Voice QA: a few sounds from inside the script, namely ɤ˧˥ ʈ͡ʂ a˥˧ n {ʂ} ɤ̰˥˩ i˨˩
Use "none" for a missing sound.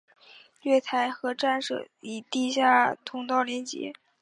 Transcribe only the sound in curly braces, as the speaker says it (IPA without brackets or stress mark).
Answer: ʂ